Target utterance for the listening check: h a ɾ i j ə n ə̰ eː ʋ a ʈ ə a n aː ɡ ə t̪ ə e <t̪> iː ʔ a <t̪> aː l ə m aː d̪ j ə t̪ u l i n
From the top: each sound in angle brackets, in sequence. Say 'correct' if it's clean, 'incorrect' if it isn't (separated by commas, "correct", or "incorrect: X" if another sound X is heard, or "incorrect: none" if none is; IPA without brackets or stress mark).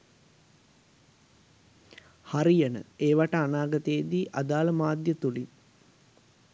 incorrect: d̪, incorrect: d̪